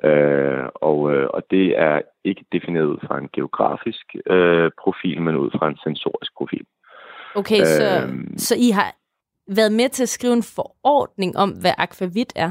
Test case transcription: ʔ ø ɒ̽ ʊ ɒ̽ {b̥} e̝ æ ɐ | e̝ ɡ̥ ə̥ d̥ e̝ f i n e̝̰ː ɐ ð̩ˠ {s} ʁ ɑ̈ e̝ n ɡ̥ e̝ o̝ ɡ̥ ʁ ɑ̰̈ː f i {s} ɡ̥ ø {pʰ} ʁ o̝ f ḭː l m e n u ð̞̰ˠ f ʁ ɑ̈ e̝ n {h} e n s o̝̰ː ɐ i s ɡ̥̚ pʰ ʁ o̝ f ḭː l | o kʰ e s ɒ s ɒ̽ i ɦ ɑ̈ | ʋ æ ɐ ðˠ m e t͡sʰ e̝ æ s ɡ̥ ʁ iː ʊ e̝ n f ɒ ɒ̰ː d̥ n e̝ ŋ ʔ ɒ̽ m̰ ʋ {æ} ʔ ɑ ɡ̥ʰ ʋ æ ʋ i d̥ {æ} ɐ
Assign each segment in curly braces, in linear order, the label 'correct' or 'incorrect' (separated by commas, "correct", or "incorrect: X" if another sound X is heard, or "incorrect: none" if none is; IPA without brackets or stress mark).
incorrect: d̥, incorrect: f, correct, correct, incorrect: s, correct, correct